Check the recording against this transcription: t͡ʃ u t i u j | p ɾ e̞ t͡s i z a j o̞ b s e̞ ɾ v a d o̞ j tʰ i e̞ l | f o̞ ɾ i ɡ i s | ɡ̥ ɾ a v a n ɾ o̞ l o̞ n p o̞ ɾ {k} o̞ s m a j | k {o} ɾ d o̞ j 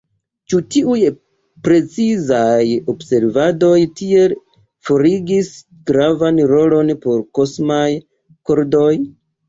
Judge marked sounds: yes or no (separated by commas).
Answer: yes, yes